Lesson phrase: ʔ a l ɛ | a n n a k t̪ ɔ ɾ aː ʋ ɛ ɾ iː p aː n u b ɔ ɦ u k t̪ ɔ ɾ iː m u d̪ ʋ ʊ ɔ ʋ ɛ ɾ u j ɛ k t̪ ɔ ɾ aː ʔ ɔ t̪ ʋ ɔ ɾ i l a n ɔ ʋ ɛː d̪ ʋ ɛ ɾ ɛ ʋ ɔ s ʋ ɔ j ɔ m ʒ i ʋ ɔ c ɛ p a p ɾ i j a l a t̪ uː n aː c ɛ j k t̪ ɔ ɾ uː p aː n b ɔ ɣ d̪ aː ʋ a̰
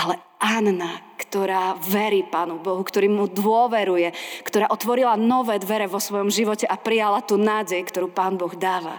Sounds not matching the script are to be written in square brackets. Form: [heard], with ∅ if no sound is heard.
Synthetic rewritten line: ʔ a l ɛ | a n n a k t̪ ɔ ɾ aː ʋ ɛ ɾ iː p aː n u b ɔ ɦ u k t̪ ɔ ɾ iː m u d̪ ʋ ʊ ɔ ʋ ɛ ɾ u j ɛ k t̪ ɔ ɾ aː ʔ ɔ t̪ ʋ ɔ ɾ i l a n ɔ ʋ ɛː d̪ ʋ ɛ ɾ ɛ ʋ ɔ s ʋ ɔ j ɔ m ʒ i ʋ ɔ c ɛ [ʔ] a p ɾ i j a l a t̪ uː n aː [ɟ] ɛ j k t̪ ɔ ɾ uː p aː n b ɔ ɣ d̪ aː ʋ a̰